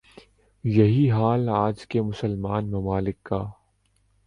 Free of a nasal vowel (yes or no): yes